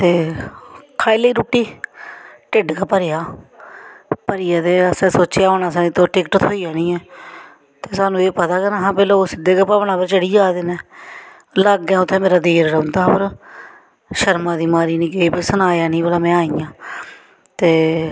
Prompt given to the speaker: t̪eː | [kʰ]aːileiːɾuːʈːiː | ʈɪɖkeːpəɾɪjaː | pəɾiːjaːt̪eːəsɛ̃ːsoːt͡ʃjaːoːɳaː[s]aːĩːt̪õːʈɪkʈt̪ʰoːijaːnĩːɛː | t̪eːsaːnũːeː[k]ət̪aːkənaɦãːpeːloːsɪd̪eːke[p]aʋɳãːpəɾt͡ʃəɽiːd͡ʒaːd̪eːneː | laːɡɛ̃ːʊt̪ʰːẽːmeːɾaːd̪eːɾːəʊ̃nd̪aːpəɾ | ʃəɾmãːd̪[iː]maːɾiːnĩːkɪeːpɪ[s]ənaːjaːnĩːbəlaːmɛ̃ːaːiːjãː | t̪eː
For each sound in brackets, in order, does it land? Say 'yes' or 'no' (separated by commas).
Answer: yes, yes, no, yes, yes, yes